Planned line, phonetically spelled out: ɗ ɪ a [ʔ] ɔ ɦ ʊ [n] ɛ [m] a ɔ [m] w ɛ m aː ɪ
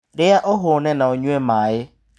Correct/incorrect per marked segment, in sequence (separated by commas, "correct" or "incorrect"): correct, correct, incorrect, incorrect